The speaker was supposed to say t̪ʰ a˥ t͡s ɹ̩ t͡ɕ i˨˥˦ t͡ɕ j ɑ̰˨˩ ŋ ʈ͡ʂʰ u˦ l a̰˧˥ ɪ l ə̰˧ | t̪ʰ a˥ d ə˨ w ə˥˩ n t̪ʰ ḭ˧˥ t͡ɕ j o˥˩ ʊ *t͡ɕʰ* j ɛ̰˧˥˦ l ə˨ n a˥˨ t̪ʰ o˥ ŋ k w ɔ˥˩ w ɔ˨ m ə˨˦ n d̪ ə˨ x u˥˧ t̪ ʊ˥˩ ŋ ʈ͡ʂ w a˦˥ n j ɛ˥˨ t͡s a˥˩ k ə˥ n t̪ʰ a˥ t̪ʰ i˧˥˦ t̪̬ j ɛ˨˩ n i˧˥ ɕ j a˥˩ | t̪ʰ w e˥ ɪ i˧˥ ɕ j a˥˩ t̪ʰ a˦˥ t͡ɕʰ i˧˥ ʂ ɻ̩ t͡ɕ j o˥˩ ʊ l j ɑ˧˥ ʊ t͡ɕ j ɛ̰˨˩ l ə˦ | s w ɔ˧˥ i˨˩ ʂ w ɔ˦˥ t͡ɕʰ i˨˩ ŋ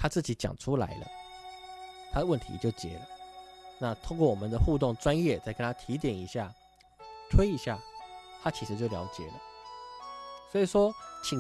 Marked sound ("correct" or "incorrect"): incorrect